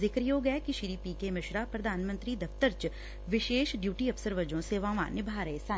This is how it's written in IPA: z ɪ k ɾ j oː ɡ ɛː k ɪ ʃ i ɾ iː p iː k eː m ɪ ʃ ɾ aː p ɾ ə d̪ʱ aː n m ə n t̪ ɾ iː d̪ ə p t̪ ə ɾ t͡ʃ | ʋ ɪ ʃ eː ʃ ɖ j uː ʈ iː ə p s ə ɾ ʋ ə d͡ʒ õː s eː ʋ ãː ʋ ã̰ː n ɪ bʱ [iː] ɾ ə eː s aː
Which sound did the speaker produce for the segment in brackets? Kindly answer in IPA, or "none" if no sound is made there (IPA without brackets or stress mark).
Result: aː